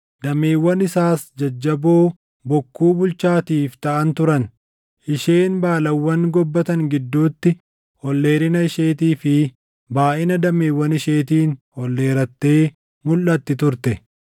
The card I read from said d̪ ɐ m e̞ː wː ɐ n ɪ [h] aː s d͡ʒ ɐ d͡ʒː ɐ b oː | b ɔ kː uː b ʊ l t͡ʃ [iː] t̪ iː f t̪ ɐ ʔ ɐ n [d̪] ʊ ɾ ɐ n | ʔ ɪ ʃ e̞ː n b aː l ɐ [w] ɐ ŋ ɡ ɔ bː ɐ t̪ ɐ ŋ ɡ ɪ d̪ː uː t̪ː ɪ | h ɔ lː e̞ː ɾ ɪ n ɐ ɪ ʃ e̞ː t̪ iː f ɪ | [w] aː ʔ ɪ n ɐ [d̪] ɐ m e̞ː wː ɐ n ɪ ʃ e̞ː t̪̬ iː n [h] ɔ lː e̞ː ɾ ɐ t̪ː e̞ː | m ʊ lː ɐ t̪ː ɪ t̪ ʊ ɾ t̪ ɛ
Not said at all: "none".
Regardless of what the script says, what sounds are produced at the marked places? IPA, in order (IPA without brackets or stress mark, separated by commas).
s, aː, t̪, wː, b, d̪, h